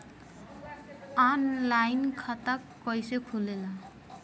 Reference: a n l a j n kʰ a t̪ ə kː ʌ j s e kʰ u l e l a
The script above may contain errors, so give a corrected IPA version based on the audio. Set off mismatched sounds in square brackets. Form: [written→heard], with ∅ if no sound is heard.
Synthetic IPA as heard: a n l a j n kʰ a t̪ [ə→a] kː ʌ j s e kʰ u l e l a